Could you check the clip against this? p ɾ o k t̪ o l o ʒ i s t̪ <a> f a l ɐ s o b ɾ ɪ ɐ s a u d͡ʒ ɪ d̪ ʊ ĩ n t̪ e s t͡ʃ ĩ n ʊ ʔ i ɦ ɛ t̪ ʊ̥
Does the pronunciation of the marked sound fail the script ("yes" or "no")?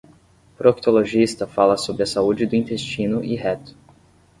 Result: yes